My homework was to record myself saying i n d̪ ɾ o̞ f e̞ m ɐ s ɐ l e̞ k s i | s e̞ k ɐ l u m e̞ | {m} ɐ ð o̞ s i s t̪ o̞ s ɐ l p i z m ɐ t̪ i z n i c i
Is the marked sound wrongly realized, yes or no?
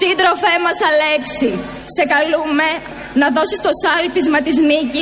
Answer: yes